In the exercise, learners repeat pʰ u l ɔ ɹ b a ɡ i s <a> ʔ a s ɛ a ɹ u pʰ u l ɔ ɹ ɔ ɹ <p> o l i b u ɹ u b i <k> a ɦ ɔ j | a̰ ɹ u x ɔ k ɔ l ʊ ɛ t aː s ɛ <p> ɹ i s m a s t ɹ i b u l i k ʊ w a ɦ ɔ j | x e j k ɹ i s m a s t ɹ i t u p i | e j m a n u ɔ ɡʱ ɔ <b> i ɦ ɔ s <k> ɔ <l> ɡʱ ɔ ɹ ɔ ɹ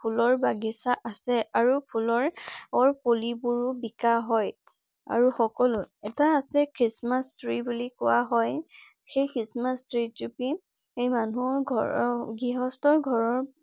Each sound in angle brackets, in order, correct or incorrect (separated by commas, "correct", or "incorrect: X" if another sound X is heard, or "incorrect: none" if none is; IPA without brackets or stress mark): correct, correct, correct, incorrect: k, incorrect: ɡ, incorrect: t, incorrect: ɹ